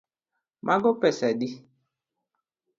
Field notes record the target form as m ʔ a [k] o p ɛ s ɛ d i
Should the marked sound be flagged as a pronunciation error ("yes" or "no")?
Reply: yes